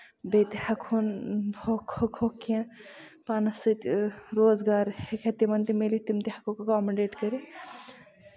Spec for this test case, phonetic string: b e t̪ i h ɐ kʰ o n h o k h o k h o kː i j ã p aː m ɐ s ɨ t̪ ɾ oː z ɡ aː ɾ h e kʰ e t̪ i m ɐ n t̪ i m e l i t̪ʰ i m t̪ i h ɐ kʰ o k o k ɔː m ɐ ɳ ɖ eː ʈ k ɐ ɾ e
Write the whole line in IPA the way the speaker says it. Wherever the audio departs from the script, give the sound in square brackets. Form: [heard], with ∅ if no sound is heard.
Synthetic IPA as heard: b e t̪ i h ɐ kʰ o n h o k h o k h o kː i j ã p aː [n] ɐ s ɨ t̪ ɾ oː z ɡ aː ɾ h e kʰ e t̪ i m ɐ n t̪ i m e l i [t̪] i m t̪ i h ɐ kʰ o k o k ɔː m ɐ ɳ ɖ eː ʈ k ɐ ɾ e